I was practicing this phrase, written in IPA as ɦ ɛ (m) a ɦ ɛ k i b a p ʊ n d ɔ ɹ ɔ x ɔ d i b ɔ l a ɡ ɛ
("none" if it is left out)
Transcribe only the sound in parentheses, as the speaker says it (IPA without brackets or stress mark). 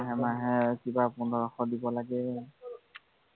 m